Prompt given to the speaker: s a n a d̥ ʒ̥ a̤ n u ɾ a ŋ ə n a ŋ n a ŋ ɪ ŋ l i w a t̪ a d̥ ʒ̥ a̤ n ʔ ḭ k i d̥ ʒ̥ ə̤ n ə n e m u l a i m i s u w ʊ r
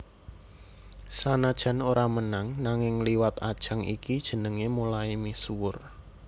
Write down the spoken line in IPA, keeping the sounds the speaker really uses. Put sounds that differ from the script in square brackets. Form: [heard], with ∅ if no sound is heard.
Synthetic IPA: s a n a d̥ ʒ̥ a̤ n [o] ɾ a [m] ə n a ŋ n a ŋ ɪ ŋ l i w a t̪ a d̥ ʒ̥ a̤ [ŋ] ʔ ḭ k i d̥ ʒ̥ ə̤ n ə [ŋ] e m u l a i m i s u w ʊ r